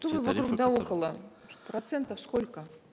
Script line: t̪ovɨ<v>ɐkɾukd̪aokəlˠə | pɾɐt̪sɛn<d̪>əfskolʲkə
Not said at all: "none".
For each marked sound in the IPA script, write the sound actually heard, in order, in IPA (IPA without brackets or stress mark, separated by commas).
v, t̪